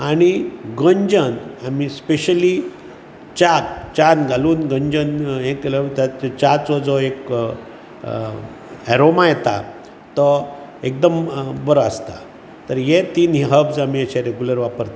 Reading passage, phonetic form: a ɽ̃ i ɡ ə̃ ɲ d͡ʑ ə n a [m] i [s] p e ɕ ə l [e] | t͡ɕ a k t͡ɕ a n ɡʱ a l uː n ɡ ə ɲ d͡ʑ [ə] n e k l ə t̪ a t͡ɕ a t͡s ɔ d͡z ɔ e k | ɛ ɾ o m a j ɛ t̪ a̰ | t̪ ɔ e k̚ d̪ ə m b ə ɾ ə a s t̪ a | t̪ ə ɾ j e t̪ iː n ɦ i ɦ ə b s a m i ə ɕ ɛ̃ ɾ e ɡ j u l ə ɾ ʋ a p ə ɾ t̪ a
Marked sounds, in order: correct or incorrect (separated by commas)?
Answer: correct, correct, incorrect, correct